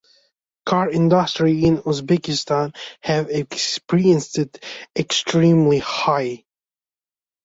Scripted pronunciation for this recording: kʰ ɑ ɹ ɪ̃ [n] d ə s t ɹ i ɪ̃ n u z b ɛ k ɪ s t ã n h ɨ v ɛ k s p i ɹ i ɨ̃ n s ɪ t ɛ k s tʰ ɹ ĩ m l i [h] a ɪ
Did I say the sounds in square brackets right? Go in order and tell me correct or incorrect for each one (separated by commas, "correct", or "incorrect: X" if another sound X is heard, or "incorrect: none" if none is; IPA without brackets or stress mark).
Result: correct, correct